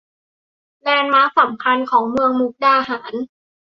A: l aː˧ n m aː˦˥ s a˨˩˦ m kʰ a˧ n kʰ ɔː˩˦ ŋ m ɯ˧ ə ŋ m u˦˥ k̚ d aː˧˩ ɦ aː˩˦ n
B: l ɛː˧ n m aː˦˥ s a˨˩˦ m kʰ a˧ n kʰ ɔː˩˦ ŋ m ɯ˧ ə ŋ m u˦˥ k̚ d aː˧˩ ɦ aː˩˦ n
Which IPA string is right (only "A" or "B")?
B